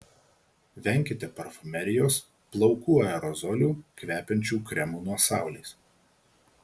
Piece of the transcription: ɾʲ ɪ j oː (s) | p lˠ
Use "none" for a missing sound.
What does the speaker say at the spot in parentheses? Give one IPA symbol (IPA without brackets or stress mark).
s